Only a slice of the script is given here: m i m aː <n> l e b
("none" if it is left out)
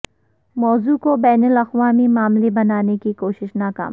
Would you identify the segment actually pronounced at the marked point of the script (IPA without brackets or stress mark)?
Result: m